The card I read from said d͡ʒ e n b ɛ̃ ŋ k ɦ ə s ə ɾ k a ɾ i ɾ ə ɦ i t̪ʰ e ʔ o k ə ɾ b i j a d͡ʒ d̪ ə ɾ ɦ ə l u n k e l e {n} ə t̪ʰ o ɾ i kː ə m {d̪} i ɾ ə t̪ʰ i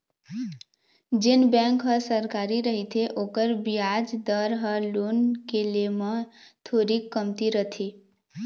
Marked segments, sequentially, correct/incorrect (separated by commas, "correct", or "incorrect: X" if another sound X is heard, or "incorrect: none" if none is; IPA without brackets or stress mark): incorrect: m, incorrect: t̪